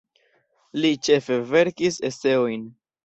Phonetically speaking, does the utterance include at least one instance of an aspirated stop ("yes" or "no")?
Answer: no